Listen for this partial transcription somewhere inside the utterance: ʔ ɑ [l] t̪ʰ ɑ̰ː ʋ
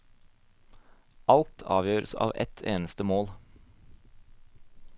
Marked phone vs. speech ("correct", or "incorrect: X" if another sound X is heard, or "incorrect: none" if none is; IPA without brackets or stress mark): correct